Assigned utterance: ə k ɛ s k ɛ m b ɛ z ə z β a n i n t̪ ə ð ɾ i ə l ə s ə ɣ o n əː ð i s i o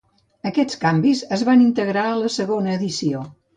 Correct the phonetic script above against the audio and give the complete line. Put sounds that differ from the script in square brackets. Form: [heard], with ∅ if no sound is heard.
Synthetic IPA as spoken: ə k ɛ [t͡s] k [a] m b [i] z ə z β a n i n t̪ ə [ɣ] ɾ [a] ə l ə s ə ɣ o n əː ð i s i o